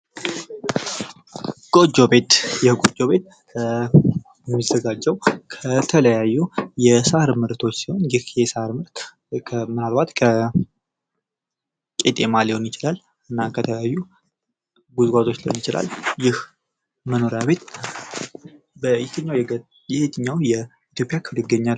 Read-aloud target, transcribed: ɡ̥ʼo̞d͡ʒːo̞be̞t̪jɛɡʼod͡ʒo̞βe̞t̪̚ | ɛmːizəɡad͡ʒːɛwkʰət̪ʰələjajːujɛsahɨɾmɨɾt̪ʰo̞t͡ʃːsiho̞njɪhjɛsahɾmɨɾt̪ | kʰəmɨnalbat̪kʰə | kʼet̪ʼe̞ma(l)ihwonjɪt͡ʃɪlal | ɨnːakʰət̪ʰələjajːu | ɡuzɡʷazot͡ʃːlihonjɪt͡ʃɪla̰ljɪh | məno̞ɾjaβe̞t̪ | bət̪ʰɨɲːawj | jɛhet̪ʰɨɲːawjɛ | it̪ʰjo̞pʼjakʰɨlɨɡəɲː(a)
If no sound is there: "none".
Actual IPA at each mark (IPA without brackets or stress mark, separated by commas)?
l, a